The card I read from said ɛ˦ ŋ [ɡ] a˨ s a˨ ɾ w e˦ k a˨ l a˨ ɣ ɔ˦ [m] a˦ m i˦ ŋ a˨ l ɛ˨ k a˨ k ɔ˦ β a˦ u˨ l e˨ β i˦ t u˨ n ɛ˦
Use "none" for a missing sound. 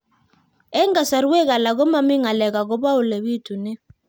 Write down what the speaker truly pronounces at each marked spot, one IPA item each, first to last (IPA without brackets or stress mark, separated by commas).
ɡ, m